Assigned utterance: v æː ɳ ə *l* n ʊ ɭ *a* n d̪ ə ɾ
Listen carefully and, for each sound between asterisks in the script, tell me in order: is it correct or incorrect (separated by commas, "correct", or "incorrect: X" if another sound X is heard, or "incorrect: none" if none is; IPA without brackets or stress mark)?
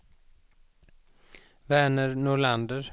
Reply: incorrect: ɾ, correct